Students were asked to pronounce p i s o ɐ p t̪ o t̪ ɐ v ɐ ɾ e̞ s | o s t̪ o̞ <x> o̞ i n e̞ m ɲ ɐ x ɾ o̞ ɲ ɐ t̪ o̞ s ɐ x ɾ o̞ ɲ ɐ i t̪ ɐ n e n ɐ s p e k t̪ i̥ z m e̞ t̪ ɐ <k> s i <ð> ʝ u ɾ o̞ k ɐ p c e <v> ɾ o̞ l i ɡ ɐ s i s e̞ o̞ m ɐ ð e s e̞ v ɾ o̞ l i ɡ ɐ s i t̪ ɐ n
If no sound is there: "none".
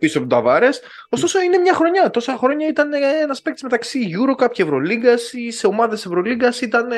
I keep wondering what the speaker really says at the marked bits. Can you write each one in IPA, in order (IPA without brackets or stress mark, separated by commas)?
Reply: s, k, none, v